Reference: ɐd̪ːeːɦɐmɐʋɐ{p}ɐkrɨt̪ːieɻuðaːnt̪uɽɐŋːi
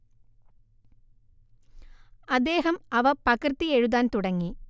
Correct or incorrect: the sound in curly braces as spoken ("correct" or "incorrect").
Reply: correct